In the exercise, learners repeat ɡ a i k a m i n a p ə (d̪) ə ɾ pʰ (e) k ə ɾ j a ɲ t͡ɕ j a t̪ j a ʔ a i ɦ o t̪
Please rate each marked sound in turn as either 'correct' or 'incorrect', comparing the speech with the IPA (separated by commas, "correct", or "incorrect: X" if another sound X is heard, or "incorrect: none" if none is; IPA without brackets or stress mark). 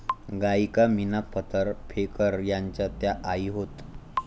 incorrect: t̪, correct